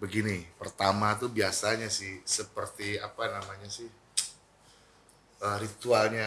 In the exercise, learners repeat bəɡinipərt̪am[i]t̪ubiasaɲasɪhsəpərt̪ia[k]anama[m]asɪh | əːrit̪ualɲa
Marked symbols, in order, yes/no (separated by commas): no, no, no